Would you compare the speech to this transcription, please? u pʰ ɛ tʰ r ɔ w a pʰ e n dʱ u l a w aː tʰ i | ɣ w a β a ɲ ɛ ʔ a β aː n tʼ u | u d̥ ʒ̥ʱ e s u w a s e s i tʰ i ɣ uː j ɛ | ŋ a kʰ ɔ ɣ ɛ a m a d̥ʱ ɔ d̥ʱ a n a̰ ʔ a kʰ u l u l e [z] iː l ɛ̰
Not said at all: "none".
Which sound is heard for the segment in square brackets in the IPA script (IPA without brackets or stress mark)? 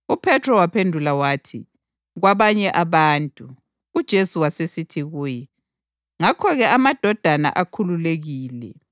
ɣ